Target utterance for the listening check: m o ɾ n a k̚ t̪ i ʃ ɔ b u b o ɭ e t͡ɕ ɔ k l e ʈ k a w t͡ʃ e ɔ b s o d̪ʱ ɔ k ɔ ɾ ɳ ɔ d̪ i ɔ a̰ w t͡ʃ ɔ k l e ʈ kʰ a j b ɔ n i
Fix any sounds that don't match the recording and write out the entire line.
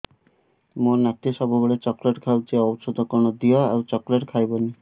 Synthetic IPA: m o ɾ n a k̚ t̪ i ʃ ɔ b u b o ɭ e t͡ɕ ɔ k l e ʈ kʰ a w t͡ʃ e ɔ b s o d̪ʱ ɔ k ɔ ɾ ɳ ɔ d̪ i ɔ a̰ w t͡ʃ ɔ k l e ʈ kʰ a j b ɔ n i